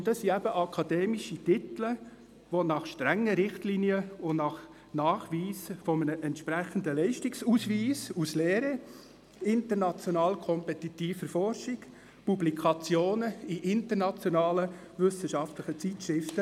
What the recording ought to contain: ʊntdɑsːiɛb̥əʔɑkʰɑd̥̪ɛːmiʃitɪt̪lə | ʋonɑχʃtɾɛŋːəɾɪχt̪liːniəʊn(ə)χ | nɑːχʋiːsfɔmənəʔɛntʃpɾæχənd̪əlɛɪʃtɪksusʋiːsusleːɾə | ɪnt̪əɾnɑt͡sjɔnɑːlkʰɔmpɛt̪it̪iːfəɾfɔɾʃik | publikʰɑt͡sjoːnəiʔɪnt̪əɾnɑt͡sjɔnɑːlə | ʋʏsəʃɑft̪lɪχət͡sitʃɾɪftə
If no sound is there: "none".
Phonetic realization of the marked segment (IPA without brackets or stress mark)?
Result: ɑ